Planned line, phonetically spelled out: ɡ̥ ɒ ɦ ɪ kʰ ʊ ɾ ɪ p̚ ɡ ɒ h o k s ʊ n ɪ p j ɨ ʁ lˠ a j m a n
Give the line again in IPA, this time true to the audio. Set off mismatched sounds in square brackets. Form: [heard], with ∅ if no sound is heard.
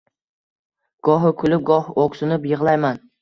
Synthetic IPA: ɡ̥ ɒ ɦ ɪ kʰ ʊ [l] ɪ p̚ ɡ ɒ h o k s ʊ n ɪ p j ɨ ʁ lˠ a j m a n